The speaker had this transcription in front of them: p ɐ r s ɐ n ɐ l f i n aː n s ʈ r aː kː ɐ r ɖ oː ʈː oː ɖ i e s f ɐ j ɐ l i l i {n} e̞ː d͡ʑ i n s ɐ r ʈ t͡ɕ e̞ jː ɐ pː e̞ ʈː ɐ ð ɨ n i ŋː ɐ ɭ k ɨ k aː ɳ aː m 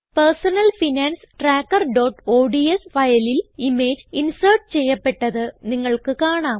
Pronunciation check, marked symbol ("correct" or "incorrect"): incorrect